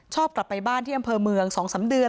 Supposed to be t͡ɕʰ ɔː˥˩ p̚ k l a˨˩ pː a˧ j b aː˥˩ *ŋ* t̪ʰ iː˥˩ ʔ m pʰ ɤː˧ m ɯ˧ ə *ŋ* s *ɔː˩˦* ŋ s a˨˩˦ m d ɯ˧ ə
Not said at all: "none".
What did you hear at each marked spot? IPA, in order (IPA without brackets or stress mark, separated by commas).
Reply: n, ŋ, ɔː˩˦